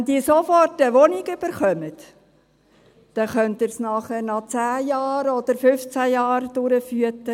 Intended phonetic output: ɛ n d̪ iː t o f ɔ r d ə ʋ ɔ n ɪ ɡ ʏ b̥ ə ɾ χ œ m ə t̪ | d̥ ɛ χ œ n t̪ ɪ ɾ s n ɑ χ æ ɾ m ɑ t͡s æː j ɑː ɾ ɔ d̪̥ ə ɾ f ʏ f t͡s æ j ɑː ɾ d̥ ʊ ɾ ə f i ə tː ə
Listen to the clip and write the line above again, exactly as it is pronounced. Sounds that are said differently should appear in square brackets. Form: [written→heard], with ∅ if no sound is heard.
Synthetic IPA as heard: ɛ n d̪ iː [t→s] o f ɔ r [d→t] ə ʋ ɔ n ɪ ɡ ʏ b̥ ə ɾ χ œ m ə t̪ | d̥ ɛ χ œ n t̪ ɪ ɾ s n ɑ χ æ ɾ [m→n] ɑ t͡s æː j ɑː ɾ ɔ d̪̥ ə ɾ f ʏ f t͡s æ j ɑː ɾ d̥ ʊ ɾ ə f [i→y] ə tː ə

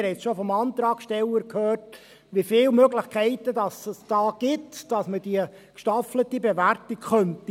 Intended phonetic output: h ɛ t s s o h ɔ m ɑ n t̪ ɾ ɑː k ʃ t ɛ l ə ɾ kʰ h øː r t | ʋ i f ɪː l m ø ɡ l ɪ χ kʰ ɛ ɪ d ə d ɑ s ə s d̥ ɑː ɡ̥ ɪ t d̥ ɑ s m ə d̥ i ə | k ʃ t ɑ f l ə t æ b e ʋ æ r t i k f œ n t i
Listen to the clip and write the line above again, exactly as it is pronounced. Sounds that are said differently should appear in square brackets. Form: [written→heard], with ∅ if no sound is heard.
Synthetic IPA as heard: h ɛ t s [s→ʃ] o [h→f] ɔ m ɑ n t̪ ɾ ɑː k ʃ t ɛ l ə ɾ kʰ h øː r t | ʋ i f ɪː l m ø ɡ l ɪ χ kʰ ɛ ɪ [d→t] ə d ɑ s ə s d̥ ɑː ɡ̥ ɪ t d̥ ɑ s m ə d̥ i ə | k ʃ t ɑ f l ə t [æ→i] b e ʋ æ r t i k [f→χ] œ n t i

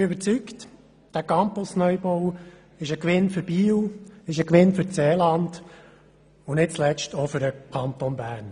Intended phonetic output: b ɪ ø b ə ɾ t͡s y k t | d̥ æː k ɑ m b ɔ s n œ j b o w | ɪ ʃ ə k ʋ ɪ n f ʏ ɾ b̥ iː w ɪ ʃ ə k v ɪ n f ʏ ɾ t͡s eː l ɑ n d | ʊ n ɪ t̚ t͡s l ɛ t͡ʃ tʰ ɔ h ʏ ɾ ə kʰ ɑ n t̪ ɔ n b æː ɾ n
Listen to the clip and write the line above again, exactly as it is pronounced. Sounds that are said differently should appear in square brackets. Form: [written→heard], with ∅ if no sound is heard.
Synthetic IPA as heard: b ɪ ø b ə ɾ t͡s y k t | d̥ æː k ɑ m [b→p] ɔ s n œ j b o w | ɪ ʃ ə k ʋ ɪ n f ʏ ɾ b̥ iː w ɪ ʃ ə k [v→ʋ] ɪ n f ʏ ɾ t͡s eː l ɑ n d | ʊ n ɪ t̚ t͡s l ɛ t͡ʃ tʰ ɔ [h→f] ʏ ɾ ə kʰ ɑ n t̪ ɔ n b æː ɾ n

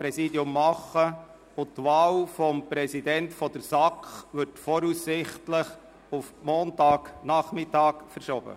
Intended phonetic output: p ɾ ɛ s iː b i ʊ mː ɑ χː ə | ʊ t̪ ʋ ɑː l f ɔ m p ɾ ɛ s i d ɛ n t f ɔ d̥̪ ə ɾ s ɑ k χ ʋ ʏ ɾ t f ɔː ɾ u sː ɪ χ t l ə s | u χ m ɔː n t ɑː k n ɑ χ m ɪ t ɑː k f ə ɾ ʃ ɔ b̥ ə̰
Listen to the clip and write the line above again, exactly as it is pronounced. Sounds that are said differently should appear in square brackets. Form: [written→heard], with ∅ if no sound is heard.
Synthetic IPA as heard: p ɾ ɛ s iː [b→d] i ʊ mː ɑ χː ə | ʊ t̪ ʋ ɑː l f ɔ m p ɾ ɛ s i d ɛ n t f ɔ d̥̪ ə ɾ s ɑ k χ ʋ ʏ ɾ t f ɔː ɾ u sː ɪ χ t l ə [s→χ] | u [χ→f] m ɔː n t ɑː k n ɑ χ m ɪ t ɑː k f ə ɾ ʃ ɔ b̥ ə̰

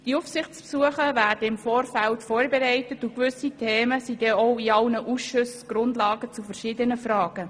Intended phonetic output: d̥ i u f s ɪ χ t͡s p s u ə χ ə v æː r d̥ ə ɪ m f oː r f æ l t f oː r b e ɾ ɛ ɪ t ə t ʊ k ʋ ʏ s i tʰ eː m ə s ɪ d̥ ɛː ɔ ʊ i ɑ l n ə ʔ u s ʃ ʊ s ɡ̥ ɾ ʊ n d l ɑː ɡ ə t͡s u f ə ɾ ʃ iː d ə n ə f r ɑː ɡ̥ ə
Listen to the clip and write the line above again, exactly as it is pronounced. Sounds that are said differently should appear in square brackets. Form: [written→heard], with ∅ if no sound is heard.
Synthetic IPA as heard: d̥ i u f s ɪ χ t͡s p s u ə χ ə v æː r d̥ ə ɪ m f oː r f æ l t f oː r b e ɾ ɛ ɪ t ə t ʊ k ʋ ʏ s i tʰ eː m ə s [ɪ→i] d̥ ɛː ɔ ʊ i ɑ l n ə ʔ u s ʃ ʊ s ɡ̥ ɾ ʊ n d l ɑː ɡ ə t͡s u f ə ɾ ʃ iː d ə n ə f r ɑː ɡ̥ ə

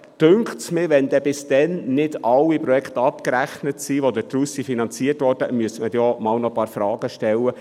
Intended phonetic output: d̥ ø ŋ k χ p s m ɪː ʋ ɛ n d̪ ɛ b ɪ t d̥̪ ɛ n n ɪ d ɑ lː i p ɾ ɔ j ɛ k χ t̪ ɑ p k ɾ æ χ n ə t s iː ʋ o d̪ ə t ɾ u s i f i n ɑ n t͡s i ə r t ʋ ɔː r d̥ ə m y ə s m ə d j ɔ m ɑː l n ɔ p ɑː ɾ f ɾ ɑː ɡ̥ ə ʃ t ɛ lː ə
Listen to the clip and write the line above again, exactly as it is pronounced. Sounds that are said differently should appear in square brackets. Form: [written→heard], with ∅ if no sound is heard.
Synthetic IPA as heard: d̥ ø ŋ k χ [p→t] s m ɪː ʋ ɛ n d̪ ɛ b ɪ [t→s] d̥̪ ɛ n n ɪ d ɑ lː i p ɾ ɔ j ɛ k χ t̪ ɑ p k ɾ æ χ n ə t s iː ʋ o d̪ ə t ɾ u s i f i n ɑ n t͡s i ə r t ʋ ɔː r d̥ ə m y ə s m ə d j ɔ m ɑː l n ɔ p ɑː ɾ f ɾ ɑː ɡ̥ ə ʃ t ɛ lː ə

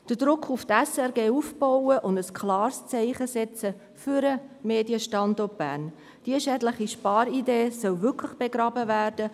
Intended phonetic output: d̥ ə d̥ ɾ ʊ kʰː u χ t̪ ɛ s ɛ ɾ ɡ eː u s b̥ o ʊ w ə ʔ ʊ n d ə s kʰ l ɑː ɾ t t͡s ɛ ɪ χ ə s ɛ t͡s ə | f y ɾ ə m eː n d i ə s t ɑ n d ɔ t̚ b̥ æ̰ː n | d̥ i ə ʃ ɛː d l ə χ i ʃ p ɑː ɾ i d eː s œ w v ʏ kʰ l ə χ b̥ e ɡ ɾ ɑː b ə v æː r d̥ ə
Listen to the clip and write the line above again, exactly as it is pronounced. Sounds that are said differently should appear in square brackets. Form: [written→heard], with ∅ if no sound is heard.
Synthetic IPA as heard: d̥ ə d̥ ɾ ʊ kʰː u [χ→f] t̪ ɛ s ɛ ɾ ɡ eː u [s→f] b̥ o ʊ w ə ʔ ʊ n d ə s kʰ l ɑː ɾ [t→s] t͡s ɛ ɪ χ ə s ɛ t͡s ə | f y ɾ ə m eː [n→∅] d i ə [s→ʃ] t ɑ n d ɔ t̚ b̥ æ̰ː n | d̥ i ə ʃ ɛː d l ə χ i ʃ p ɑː ɾ i d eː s œ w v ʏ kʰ l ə χ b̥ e ɡ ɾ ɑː b ə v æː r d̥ ə

